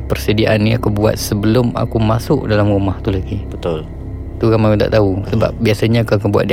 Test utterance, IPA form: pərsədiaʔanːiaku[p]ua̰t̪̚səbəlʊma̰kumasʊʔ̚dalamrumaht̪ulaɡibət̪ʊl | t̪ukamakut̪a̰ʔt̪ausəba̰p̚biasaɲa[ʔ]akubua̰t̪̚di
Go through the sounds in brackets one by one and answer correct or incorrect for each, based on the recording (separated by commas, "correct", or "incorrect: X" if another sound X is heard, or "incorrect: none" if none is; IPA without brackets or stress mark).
incorrect: b, incorrect: k